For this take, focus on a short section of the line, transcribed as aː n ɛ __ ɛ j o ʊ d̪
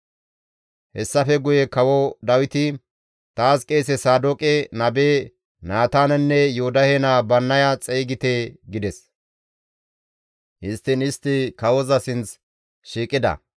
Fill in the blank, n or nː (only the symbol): nː